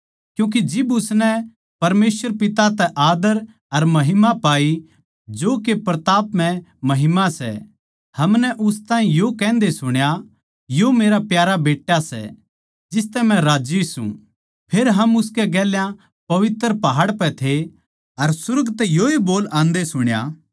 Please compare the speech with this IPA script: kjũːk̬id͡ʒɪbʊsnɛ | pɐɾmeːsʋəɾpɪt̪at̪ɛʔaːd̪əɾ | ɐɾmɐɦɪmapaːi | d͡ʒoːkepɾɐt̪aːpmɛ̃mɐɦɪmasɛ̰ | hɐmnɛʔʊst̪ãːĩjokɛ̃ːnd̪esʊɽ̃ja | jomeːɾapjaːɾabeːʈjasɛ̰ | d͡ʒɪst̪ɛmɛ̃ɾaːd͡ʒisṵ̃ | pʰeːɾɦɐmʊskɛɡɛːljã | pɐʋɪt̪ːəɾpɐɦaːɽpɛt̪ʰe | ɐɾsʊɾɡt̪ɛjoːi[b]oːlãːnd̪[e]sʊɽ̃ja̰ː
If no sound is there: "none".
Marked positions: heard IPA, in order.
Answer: b, e

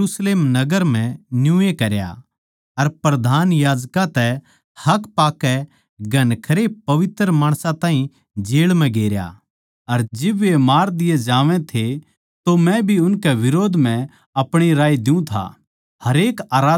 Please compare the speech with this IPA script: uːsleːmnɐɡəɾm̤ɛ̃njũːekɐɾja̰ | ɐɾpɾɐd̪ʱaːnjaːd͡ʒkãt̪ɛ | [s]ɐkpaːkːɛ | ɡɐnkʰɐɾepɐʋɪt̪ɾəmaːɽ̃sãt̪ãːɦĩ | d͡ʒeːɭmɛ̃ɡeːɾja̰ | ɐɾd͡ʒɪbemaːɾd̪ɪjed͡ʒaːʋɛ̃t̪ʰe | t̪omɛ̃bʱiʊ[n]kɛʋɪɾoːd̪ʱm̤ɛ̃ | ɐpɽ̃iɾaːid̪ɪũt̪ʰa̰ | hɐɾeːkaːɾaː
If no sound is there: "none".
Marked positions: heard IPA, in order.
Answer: h, n

